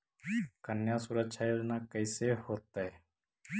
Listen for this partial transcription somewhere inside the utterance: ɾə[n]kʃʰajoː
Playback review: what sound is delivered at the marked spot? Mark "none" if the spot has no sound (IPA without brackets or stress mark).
none